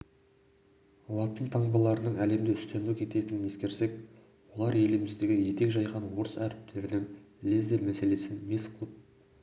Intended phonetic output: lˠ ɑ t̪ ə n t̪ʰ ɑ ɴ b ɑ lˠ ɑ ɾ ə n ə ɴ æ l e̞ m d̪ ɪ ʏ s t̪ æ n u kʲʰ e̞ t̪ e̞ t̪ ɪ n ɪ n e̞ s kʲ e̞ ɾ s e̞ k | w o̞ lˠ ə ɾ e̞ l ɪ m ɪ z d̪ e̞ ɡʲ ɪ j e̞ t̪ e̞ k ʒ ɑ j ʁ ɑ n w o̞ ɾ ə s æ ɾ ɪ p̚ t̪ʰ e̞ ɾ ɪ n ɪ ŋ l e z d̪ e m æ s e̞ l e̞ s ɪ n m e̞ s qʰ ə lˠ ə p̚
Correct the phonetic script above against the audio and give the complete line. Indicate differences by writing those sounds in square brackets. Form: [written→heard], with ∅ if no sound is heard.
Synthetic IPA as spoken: lˠ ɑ t̪ ə n t̪ʰ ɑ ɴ b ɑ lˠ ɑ ɾ ə n ə ɴ æ l e̞ m d̪ ɪ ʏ s t̪ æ n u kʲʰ e̞ t̪ e̞ t̪ ɪ n ɪ n e̞ s kʲ e̞ ɾ s e̞ k | w o̞ lˠ [ə→ɑ] ɾ e̞ l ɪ m ɪ z d̪ e̞ ɡʲ ɪ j e̞ t̪ e̞ k ʒ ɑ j ʁ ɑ n w o̞ ɾ ə s æ ɾ ɪ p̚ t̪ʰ e̞ ɾ ɪ n ɪ ŋ l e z d̪ e m æ s e̞ l e̞ s ɪ n m e̞ s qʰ ə lˠ ə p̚